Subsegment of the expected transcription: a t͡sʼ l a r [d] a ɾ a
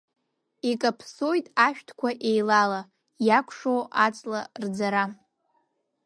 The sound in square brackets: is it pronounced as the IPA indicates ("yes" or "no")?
no